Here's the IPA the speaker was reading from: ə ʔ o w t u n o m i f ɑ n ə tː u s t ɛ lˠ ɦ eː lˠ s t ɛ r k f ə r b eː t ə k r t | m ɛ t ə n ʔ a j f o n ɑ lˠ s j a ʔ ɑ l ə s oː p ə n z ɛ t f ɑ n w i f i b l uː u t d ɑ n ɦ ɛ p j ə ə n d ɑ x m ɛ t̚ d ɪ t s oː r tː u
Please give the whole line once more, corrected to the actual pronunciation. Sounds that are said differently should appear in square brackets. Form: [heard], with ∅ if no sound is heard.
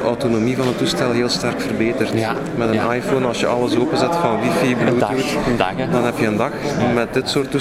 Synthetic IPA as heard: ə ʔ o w t [o] n o m i [v] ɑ n ə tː u s t ɛ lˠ ɦ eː lˠ s t ɛ r k f ə r b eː t ə [∅] r t | m ɛ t ə n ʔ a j f o n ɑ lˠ s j [ə] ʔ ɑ l ə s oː p ə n z ɛ t f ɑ n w i f i b l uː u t d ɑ n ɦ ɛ p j ə ə n d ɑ x m ɛ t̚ d ɪ t s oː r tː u